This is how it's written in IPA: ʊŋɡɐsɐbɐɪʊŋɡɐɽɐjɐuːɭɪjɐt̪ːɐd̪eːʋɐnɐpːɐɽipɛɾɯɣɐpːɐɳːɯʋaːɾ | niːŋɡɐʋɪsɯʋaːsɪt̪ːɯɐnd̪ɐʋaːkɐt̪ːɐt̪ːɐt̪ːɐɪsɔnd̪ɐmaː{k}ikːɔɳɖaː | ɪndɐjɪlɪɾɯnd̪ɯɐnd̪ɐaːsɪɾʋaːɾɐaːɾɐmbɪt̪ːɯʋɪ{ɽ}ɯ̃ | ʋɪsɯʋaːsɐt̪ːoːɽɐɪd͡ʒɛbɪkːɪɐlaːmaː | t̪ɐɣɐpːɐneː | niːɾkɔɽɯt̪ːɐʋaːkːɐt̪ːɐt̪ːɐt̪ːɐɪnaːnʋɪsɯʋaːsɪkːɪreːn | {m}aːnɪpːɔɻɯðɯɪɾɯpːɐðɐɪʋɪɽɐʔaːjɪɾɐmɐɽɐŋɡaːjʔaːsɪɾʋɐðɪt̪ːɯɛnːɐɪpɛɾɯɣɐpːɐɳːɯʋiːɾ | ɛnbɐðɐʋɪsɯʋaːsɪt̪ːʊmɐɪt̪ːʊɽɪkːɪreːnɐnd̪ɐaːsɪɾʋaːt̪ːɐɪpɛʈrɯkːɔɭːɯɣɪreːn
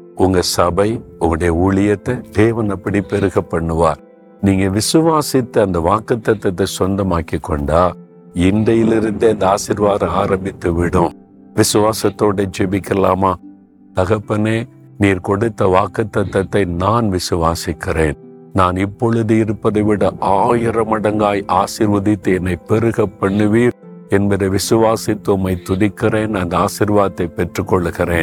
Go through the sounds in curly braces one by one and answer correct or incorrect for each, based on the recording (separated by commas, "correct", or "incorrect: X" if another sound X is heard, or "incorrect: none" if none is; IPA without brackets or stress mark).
correct, correct, incorrect: n